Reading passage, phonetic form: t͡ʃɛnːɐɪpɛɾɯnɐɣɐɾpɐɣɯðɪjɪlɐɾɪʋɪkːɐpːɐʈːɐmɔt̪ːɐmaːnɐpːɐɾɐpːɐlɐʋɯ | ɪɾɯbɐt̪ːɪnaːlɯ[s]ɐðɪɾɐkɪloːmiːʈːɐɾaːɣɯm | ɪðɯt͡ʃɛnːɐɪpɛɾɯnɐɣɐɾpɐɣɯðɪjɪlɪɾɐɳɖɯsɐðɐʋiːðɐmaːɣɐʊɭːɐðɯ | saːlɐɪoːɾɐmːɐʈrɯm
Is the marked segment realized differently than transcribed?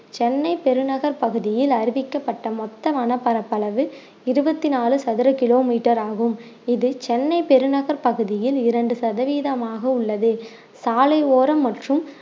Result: no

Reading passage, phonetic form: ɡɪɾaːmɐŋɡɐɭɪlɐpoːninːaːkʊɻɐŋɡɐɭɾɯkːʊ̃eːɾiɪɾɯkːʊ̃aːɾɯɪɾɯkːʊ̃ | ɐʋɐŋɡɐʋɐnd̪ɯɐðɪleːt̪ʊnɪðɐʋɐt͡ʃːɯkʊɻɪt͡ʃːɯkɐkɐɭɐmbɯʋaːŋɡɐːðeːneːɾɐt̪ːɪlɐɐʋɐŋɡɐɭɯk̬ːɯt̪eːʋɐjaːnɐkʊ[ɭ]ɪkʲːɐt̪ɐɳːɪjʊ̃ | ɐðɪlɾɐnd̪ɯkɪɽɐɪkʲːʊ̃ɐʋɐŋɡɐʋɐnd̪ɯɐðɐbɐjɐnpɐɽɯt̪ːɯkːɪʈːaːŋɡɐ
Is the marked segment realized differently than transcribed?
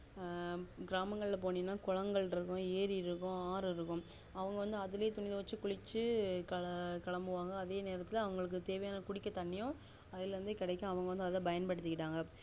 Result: yes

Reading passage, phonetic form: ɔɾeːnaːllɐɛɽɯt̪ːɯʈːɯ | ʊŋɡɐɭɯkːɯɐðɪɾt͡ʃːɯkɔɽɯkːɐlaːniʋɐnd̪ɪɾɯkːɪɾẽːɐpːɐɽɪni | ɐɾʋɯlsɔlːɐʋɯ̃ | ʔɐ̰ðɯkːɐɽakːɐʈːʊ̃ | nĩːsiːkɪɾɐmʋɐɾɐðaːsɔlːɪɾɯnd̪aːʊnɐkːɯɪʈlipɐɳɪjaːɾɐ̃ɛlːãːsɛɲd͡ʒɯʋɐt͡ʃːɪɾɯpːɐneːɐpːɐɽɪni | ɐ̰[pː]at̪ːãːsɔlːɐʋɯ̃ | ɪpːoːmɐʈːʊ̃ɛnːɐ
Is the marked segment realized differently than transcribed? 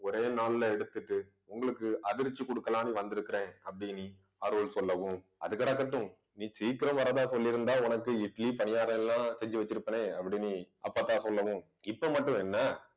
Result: no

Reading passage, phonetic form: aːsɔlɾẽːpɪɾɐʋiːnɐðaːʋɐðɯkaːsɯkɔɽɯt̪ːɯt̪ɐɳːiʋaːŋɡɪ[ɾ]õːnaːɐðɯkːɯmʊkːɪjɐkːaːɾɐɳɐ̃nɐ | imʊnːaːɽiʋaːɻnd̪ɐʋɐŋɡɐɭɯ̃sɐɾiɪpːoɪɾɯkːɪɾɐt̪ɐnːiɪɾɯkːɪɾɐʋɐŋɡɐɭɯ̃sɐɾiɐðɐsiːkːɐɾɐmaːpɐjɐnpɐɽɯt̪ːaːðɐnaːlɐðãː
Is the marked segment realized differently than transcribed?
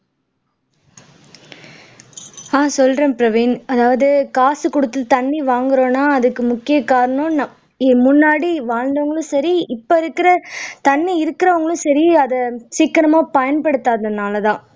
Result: no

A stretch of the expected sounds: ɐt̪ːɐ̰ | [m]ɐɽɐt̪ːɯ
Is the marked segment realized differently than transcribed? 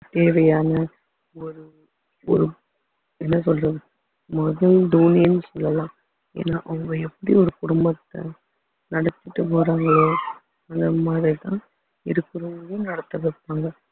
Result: yes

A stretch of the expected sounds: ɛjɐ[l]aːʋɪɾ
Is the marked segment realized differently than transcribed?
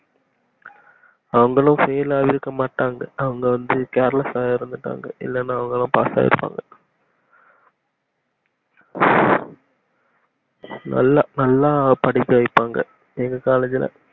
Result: no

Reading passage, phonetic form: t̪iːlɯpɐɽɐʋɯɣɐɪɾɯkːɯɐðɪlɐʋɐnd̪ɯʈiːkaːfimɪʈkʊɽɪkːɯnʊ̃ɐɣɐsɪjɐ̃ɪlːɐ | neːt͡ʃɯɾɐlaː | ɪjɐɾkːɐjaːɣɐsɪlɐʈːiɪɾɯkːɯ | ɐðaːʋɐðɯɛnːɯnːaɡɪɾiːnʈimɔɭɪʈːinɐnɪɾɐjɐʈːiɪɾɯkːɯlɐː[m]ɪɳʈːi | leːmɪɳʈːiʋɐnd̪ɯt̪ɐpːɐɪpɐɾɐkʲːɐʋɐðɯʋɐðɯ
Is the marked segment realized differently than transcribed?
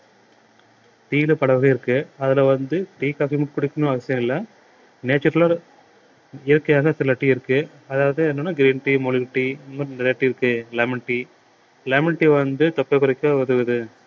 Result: no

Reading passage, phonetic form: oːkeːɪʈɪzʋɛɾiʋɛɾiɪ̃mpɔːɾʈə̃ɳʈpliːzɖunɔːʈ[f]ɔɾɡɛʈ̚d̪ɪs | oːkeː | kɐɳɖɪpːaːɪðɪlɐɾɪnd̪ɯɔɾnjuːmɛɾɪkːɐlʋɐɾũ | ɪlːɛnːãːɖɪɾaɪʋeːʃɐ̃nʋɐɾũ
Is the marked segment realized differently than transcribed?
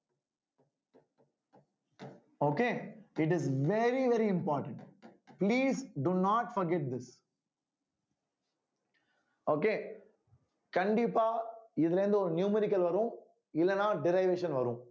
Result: no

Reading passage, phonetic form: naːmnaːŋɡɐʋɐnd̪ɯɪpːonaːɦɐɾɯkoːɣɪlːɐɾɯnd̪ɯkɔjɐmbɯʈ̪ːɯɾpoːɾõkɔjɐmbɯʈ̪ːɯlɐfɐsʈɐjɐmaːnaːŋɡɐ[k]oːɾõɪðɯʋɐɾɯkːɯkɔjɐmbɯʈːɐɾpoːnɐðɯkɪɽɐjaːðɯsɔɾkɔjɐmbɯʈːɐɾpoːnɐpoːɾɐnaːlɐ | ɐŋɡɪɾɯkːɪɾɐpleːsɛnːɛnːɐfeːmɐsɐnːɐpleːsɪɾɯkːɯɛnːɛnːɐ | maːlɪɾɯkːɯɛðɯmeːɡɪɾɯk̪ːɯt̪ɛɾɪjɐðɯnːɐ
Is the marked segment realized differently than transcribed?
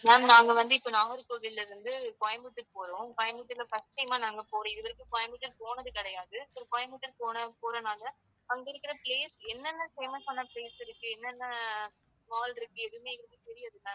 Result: yes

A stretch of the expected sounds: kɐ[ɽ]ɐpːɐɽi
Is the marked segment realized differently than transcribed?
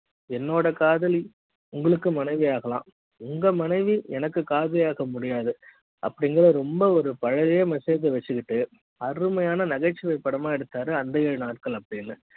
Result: yes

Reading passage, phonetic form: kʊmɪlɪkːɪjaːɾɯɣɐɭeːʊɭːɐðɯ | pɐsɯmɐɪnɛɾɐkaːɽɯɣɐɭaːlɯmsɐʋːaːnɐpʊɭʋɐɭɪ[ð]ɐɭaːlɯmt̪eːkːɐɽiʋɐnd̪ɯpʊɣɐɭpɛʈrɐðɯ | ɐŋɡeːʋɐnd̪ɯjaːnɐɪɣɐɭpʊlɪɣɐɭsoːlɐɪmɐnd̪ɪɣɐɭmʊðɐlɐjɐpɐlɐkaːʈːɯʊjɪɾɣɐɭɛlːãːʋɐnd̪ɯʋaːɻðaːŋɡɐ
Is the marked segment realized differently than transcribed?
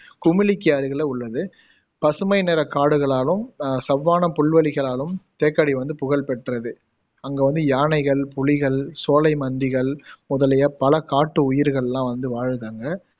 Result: yes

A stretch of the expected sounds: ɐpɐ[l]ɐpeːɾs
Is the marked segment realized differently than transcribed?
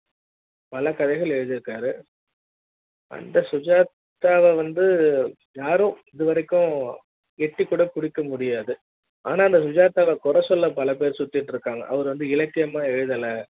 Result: no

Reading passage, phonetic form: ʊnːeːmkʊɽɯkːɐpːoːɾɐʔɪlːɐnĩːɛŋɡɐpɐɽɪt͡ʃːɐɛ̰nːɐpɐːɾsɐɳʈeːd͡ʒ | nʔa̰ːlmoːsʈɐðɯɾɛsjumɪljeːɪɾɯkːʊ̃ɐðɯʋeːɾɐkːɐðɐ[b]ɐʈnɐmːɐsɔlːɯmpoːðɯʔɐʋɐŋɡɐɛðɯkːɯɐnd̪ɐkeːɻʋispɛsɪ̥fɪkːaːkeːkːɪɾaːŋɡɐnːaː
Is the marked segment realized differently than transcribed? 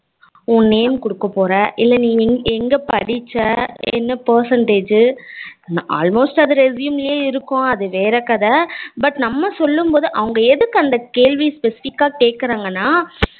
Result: no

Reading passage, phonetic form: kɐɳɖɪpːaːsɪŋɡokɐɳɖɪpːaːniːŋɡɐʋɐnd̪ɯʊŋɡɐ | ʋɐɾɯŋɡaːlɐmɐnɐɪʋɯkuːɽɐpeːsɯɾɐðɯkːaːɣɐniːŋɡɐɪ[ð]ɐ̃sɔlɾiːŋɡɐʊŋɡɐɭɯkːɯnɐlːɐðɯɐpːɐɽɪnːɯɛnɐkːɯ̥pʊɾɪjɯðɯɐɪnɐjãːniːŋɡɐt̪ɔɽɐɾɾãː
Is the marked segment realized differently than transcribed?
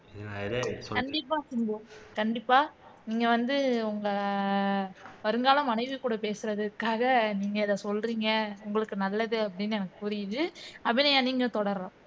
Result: no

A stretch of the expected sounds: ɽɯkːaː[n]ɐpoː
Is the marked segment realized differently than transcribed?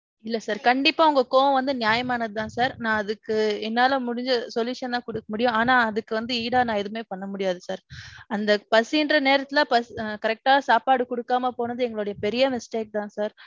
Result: yes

